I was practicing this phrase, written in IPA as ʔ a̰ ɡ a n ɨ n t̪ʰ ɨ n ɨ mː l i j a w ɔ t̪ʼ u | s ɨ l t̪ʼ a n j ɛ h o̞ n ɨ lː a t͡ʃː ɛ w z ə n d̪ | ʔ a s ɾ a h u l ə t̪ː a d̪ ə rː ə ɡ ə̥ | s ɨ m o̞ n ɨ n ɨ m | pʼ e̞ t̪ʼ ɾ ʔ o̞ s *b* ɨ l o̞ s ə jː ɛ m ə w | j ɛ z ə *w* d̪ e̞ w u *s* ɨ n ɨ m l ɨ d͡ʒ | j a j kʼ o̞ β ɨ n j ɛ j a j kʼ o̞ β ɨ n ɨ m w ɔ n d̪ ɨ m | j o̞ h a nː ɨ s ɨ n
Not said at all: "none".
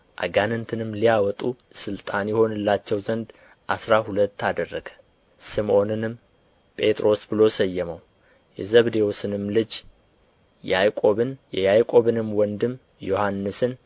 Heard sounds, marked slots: b, β, s

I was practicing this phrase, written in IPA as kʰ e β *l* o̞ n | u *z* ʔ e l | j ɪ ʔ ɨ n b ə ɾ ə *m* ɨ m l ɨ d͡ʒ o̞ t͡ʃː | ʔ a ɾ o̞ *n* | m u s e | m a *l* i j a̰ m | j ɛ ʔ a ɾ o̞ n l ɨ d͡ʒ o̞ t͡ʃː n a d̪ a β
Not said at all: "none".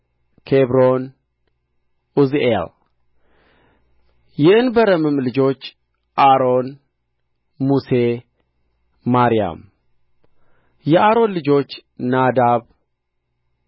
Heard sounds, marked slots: ɾ, z, m, n, ɾ

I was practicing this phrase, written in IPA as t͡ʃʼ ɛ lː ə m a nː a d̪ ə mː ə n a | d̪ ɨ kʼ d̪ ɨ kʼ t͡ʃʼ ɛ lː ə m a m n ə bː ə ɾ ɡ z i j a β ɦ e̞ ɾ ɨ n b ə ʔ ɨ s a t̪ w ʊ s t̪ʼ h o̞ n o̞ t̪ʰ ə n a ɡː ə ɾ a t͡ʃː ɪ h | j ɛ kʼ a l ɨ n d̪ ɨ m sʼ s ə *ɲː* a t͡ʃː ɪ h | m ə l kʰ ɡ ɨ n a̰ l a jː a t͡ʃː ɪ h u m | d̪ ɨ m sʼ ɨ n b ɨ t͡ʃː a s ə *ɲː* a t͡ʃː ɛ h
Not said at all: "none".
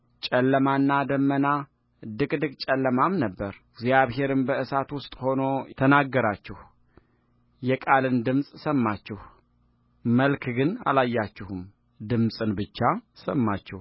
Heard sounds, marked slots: mː, mː

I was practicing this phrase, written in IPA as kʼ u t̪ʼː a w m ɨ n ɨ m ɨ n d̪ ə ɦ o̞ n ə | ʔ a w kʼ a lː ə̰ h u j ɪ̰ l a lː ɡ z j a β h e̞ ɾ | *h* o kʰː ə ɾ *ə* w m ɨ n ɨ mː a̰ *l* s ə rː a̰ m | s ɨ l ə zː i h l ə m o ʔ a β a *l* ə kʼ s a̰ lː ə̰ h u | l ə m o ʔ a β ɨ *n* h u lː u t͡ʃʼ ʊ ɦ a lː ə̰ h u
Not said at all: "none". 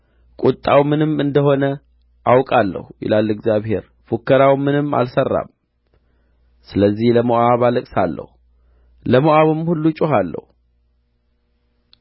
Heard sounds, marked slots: f, a, l, l, m

